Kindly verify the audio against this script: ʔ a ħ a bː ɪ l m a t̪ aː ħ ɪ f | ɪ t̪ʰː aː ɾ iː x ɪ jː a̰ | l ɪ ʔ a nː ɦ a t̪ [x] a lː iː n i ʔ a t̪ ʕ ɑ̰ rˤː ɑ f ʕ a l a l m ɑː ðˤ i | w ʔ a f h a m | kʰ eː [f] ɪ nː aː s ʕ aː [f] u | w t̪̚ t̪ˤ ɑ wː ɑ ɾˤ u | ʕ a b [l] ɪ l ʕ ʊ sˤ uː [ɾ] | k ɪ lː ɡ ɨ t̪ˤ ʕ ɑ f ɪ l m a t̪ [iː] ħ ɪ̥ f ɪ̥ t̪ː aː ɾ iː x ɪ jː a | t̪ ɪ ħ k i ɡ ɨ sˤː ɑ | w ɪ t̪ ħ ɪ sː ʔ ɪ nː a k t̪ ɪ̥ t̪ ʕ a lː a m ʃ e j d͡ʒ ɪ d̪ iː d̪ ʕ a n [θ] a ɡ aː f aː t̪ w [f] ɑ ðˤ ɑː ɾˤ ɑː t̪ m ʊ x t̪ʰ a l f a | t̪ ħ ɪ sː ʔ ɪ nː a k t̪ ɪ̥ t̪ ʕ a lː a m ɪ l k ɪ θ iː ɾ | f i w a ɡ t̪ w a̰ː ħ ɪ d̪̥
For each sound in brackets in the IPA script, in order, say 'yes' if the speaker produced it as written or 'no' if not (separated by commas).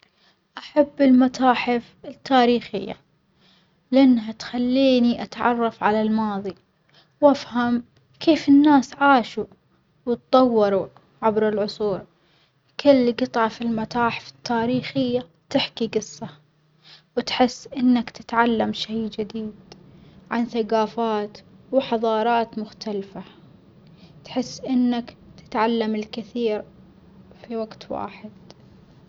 yes, yes, no, no, yes, no, yes, no